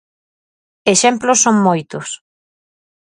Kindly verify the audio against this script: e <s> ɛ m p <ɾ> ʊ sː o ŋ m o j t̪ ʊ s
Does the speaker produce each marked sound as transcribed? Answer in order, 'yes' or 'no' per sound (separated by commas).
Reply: no, no